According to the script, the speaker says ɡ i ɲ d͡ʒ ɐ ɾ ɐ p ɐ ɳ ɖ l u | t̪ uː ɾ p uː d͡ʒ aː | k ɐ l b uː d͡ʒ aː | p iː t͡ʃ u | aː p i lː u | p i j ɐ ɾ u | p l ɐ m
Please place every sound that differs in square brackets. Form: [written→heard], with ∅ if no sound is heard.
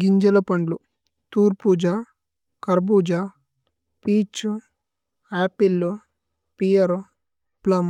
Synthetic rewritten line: ɡ i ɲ d͡ʒ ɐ [ɾ→l] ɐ p ɐ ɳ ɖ l u | t̪ uː ɾ p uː d͡ʒ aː | k ɐ [l→ɾ] b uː d͡ʒ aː | p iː t͡ʃ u | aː p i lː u | p i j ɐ ɾ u | p l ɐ m